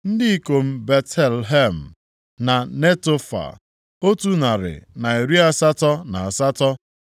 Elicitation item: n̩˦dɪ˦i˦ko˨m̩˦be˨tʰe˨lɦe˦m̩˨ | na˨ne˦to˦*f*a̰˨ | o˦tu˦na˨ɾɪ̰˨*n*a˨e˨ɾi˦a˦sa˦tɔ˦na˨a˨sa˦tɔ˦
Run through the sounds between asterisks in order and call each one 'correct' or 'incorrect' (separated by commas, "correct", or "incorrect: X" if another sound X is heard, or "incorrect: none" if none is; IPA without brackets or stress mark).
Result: correct, correct